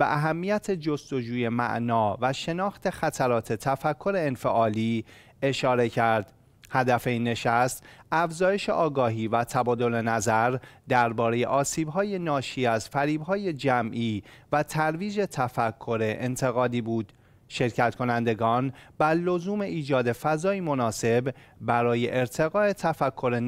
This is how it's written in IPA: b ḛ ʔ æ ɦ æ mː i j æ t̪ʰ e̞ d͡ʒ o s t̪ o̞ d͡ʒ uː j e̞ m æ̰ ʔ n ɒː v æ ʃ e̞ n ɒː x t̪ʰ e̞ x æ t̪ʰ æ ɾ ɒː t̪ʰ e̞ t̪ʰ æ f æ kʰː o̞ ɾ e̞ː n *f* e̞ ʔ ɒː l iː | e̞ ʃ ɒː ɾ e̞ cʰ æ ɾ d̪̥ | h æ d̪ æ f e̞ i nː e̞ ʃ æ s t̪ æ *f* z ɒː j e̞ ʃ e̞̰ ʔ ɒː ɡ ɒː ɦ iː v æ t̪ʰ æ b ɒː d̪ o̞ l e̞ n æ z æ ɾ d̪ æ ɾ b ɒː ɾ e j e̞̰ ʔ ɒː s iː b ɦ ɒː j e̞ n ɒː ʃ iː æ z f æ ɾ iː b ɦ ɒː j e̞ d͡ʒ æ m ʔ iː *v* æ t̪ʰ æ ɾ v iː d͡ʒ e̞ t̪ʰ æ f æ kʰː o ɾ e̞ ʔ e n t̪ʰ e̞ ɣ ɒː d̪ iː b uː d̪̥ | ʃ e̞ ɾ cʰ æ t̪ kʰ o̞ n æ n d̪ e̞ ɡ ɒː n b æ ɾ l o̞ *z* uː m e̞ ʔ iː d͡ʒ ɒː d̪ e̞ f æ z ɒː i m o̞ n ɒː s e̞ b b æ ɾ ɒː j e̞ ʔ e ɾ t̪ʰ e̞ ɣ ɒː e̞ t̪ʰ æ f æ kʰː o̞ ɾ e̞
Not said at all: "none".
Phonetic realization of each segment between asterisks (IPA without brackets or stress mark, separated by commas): f, f, v, z